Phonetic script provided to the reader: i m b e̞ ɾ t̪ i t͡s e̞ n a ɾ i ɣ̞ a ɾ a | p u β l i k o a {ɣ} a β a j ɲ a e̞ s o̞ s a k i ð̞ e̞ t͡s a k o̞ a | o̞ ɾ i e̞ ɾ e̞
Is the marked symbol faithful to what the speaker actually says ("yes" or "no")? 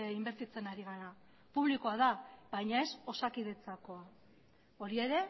no